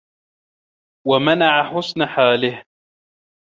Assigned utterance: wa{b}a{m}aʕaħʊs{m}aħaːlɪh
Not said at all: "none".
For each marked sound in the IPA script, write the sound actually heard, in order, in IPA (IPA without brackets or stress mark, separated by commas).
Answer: m, n, n